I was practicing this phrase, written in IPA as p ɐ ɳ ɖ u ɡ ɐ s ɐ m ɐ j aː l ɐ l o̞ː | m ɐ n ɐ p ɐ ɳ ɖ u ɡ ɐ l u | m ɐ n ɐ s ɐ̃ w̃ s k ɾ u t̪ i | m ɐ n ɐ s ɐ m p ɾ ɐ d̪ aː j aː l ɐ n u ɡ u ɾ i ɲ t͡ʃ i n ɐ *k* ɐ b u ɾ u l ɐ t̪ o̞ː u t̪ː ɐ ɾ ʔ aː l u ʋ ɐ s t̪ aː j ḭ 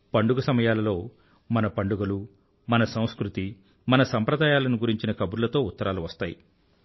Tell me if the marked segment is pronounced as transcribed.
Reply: yes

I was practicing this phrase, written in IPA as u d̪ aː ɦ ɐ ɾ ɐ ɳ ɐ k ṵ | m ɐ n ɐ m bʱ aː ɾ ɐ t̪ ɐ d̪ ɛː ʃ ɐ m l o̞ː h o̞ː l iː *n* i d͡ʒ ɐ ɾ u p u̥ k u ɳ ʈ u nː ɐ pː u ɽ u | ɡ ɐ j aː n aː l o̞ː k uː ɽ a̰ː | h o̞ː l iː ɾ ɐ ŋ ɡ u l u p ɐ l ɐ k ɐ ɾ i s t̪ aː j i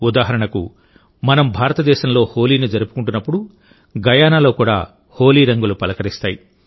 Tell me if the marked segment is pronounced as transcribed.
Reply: yes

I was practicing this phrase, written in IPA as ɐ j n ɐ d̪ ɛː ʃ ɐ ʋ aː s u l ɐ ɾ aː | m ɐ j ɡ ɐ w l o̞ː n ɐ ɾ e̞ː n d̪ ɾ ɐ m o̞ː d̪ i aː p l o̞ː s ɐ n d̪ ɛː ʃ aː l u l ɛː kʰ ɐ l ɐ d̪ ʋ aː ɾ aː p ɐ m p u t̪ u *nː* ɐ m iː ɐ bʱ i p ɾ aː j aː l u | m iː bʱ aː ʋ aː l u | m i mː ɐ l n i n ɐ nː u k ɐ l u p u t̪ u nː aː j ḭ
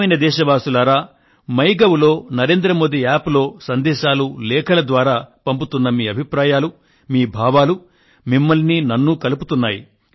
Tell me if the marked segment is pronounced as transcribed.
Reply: yes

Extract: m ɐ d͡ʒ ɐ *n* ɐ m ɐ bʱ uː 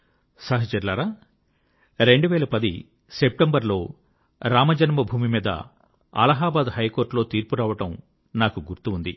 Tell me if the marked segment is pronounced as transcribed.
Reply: yes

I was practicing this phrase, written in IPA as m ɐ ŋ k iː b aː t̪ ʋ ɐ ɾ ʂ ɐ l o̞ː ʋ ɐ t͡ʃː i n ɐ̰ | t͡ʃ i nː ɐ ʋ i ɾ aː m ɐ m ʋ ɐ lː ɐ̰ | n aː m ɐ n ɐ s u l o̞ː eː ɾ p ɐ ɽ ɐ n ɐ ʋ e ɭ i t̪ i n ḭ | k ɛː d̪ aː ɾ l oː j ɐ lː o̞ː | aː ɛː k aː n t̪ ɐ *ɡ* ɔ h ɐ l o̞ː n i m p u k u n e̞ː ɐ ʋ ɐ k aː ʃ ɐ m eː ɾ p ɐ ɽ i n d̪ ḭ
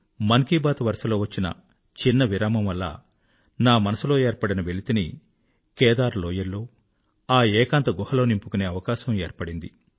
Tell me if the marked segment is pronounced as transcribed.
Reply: yes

